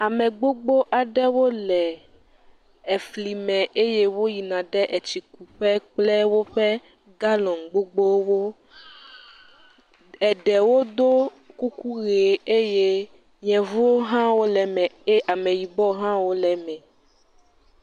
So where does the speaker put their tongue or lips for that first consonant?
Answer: lips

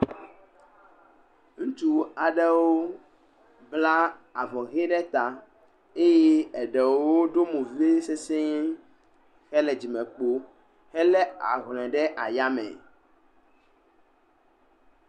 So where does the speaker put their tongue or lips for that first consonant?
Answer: velum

